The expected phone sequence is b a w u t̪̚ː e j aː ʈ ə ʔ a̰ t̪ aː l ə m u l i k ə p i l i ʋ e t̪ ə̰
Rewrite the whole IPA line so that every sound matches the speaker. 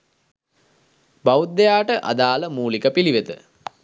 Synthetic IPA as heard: b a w u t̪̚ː e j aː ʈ ə ʔ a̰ d̪ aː l ə m uː l i k ə p i l i ʋ e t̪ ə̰